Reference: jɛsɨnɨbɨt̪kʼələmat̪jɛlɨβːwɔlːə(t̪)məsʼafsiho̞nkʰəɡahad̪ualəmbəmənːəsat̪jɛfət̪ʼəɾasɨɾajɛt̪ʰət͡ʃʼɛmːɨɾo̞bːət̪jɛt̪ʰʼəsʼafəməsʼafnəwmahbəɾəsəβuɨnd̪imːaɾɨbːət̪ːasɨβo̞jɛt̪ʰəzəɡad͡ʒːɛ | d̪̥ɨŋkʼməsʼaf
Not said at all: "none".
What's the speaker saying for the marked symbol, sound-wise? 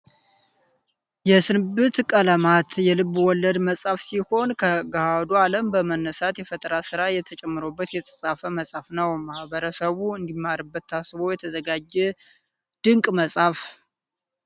d̪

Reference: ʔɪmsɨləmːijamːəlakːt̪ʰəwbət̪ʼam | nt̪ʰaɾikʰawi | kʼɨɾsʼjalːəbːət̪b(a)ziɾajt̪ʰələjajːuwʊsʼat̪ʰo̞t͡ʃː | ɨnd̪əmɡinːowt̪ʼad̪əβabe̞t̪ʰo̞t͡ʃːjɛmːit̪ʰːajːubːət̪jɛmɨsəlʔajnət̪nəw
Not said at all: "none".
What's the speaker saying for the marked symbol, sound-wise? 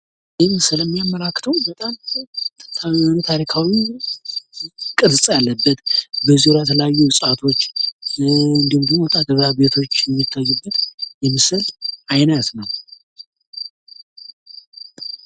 ə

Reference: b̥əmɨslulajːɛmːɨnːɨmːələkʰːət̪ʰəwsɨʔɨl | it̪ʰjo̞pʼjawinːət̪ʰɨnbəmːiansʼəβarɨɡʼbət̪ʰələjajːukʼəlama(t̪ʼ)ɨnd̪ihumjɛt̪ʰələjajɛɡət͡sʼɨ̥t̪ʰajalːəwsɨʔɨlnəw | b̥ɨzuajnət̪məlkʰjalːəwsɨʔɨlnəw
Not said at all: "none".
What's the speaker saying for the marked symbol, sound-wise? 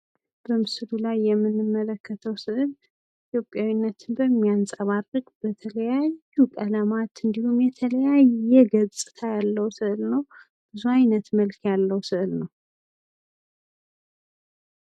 t̪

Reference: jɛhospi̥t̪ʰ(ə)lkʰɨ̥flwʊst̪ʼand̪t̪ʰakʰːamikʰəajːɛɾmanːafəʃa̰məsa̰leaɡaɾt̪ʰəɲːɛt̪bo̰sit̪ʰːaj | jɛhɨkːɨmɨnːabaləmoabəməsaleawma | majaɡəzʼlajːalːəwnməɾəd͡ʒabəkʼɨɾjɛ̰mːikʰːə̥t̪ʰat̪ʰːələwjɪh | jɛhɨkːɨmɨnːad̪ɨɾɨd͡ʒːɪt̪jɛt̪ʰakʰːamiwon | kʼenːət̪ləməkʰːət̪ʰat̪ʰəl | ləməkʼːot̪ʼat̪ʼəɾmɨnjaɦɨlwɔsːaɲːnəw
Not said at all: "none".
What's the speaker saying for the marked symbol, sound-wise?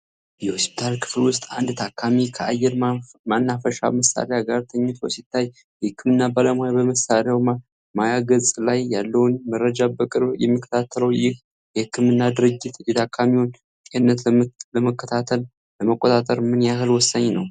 a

